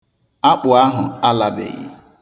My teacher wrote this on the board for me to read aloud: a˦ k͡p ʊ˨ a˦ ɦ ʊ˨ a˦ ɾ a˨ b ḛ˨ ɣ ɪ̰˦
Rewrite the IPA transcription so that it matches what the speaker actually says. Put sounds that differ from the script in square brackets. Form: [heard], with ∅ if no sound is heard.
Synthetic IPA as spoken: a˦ k͡p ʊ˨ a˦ ɦ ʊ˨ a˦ [l] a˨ b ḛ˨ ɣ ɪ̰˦